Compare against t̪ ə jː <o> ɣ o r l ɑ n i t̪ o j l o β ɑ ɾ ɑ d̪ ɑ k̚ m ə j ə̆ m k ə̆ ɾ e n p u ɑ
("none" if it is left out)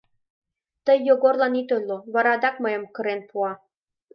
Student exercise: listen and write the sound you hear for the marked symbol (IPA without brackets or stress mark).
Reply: o